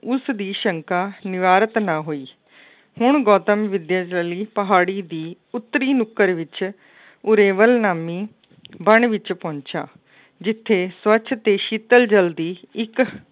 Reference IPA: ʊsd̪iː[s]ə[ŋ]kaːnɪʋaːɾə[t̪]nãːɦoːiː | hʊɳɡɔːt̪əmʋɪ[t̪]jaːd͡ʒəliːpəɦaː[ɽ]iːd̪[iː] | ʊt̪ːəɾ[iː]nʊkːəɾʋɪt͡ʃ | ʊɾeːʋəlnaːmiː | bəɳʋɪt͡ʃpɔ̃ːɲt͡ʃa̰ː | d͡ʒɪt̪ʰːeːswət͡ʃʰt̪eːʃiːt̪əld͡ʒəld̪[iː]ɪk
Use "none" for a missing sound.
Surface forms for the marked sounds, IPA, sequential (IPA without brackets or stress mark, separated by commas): ʃ, ŋ, t̪, d̪, ɽ, iː, iː, iː